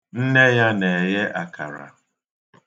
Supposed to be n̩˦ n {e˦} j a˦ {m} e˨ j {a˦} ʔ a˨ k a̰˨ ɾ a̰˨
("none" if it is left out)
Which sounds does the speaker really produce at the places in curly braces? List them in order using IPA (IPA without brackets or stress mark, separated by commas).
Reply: e˦, n, e˦